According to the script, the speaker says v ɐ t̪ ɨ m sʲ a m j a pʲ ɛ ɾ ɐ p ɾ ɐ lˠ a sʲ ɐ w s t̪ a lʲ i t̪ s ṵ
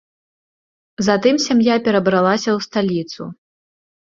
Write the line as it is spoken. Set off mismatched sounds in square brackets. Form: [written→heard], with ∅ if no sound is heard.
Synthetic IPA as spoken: [v→z] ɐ t̪ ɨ m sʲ a m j a pʲ ɛ ɾ ɐ [p→b] ɾ [ɐ→a] lˠ a sʲ ɐ w s t̪ a lʲ i t̪ s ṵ